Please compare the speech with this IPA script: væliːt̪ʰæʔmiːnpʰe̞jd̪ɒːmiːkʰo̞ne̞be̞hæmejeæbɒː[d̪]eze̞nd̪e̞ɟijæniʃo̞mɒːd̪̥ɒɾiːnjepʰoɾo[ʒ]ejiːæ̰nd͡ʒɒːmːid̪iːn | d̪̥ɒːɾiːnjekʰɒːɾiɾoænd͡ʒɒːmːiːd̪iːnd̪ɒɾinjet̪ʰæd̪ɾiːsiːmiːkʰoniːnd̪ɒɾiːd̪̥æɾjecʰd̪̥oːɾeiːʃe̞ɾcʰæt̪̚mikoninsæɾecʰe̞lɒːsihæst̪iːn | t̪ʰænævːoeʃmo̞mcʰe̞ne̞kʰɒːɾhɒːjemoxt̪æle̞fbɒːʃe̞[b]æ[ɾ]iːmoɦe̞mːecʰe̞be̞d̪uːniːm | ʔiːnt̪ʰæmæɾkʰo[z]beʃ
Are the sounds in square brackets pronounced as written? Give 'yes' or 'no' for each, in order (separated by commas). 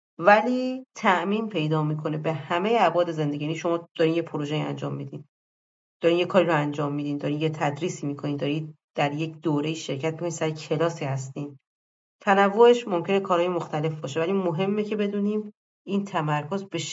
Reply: yes, yes, no, no, yes